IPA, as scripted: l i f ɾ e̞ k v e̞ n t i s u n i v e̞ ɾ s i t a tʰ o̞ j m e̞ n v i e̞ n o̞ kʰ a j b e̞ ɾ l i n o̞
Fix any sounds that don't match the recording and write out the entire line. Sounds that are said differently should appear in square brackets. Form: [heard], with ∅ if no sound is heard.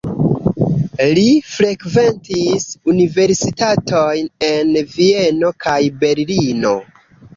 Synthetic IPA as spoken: l i f ɾ e̞ k v e̞ n t i s u n i v e̞ ɾ s i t a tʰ o̞ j [n] e̞ n v i e̞ n o̞ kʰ a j b e̞ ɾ l i n o̞